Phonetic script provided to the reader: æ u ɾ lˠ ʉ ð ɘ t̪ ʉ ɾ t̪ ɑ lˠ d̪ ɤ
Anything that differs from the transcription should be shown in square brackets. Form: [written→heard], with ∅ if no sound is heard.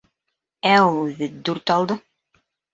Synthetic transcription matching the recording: æ u [ɾ→∅] lˠ ʉ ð ɘ [t̪→d̪] ʉ ɾ t̪ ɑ lˠ d̪ ɤ